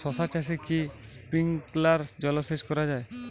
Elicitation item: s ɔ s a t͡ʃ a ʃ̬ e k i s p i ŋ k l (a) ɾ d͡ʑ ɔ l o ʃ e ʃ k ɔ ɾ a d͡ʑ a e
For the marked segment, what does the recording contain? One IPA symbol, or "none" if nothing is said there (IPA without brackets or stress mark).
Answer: a